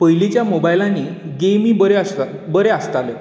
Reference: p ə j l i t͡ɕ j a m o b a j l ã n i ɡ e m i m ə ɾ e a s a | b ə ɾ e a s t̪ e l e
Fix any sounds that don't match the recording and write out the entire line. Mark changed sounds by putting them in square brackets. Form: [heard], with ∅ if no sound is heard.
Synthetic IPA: p ə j l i t͡ɕ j a m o b a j l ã n i ɡ e m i [b] ə ɾ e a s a | b ə ɾ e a s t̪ [a] l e